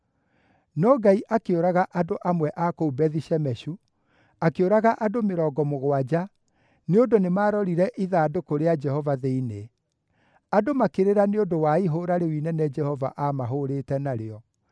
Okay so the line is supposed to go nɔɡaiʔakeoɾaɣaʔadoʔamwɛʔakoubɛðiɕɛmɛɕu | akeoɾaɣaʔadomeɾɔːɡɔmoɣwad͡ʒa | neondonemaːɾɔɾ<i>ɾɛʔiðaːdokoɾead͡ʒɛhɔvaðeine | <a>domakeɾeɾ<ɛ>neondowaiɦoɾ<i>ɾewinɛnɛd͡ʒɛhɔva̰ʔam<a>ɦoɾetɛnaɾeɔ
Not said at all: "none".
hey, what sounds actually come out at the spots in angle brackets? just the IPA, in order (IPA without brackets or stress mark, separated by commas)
i, a, a, a, a